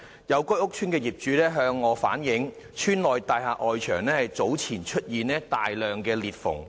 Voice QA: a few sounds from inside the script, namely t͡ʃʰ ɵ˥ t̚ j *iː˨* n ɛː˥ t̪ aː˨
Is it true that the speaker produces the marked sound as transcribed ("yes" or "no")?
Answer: yes